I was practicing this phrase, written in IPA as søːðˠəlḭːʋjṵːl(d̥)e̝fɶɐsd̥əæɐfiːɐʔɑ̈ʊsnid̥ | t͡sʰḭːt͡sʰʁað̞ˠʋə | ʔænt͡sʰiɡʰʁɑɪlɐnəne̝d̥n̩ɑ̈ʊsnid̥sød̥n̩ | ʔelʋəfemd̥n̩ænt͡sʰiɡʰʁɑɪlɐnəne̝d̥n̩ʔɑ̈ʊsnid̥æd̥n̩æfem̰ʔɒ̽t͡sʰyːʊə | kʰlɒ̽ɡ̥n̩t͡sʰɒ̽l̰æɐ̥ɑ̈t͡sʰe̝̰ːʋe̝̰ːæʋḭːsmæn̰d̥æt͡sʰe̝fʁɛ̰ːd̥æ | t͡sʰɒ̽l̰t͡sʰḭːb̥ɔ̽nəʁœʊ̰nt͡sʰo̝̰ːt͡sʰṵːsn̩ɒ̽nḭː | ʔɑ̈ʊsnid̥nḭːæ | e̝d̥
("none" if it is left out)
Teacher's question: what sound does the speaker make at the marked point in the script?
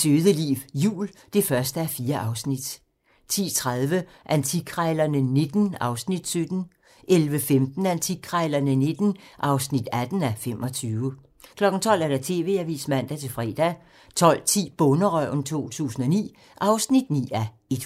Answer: d̥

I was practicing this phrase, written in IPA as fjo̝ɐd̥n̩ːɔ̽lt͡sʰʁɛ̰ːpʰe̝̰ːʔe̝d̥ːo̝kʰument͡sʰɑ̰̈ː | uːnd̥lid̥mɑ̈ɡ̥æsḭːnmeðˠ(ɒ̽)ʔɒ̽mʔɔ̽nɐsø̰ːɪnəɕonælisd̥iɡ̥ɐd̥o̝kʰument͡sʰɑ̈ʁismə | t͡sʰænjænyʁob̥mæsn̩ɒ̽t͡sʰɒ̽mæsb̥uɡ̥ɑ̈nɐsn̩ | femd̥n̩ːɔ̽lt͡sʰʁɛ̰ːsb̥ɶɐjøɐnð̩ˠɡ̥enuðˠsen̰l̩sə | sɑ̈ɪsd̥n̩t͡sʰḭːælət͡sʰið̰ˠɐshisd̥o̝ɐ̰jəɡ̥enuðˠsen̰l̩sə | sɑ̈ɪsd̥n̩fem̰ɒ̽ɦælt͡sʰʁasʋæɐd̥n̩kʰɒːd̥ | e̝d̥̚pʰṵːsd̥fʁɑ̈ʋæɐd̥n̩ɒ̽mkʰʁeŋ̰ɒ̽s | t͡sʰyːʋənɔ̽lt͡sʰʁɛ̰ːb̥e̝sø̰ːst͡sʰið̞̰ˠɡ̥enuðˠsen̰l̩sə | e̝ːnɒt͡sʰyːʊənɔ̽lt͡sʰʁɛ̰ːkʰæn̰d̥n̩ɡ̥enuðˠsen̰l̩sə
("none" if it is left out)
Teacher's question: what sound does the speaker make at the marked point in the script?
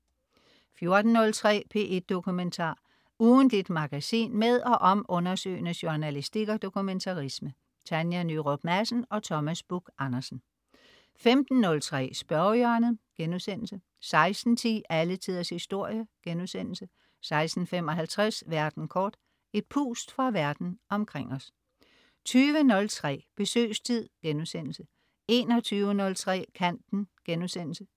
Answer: ɒ̽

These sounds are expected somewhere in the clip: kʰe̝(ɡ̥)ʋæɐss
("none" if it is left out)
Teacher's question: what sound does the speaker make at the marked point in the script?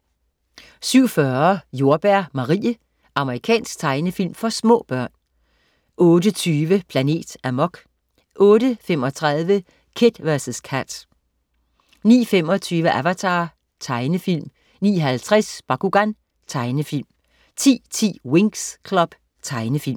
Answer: d̥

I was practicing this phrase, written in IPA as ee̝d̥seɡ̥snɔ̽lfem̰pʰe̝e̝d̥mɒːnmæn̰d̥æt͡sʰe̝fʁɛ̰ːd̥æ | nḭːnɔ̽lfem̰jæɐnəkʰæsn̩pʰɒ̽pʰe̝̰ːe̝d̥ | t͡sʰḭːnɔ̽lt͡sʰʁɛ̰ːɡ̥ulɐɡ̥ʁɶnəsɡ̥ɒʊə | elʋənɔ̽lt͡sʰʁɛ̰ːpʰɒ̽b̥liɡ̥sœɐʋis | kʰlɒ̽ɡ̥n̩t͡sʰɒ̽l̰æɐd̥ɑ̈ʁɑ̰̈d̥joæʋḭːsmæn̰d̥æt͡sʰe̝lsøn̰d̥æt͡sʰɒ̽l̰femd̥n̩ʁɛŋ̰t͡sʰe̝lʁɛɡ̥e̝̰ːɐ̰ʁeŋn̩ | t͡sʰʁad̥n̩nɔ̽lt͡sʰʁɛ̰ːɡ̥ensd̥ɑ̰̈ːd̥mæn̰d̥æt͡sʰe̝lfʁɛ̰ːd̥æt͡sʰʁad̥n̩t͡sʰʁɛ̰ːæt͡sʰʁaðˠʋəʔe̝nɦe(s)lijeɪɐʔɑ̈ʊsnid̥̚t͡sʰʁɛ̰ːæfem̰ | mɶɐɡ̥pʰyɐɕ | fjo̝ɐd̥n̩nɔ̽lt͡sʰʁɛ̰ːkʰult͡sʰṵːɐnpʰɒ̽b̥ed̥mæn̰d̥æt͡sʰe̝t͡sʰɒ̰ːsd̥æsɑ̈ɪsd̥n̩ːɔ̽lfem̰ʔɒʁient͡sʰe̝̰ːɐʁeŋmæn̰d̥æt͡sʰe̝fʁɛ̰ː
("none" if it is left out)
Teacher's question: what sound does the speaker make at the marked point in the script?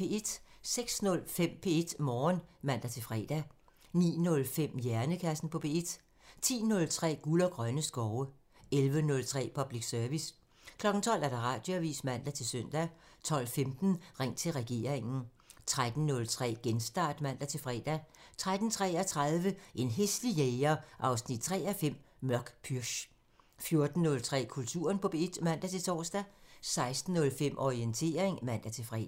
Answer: s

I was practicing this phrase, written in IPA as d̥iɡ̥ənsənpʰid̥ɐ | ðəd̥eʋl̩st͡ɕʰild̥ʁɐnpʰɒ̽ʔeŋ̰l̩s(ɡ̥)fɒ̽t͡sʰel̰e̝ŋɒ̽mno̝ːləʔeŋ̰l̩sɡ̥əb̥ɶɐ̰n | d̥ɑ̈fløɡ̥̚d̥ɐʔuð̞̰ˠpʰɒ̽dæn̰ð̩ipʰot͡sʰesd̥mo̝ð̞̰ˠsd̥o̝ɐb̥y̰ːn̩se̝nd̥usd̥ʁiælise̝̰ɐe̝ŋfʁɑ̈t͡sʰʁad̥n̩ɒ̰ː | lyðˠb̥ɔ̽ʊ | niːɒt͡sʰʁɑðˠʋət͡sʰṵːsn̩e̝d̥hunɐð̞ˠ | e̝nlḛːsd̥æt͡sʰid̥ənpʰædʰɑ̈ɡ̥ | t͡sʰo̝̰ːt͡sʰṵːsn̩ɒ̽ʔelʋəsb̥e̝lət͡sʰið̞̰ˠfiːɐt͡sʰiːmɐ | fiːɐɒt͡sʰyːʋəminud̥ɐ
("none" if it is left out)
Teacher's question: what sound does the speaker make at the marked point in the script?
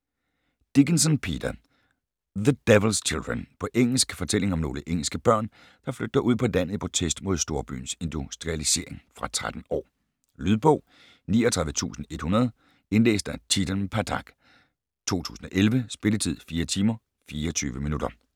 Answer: ɡ̥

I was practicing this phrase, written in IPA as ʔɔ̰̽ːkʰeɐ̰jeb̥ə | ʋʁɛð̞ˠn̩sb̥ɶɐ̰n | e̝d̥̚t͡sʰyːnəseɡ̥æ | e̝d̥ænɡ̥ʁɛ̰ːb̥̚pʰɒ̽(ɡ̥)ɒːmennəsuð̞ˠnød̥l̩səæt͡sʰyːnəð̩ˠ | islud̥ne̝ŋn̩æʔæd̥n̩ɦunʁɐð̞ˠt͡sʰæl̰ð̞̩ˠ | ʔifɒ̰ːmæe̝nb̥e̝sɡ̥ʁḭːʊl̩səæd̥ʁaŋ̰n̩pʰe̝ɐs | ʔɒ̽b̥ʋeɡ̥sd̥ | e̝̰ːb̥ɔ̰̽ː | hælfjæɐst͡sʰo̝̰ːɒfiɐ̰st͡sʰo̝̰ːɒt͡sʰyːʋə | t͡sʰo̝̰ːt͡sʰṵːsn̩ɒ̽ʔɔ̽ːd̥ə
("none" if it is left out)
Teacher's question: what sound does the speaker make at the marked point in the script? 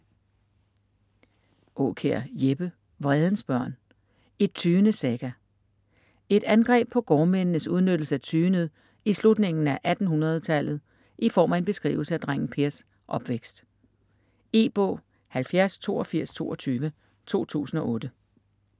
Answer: ɡ̥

